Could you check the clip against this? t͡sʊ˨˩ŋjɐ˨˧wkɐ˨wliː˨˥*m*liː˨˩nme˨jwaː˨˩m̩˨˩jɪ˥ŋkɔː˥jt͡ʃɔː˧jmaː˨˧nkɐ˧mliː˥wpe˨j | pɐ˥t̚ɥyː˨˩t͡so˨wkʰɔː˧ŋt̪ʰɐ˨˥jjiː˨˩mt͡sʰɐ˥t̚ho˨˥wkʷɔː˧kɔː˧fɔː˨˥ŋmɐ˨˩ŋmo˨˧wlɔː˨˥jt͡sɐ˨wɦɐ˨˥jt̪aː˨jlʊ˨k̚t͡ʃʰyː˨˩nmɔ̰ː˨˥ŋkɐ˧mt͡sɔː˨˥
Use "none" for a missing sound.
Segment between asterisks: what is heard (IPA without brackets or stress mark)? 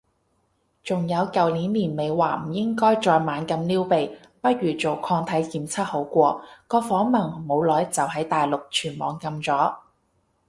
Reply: n